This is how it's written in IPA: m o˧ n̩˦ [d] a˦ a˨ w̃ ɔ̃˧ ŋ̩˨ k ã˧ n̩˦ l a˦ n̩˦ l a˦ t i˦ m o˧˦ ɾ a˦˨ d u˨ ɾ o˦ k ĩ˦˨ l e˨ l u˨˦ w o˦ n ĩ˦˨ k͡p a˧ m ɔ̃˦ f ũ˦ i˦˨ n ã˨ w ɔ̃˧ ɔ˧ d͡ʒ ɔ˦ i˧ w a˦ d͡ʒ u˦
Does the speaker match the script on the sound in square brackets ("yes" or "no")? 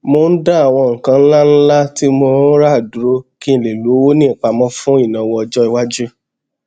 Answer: yes